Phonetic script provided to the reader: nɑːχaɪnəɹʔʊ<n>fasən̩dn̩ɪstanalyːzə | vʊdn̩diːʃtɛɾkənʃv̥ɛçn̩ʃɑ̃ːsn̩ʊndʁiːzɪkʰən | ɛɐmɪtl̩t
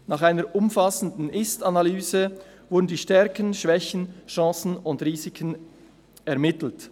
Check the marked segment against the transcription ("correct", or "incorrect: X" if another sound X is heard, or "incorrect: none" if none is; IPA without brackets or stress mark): incorrect: m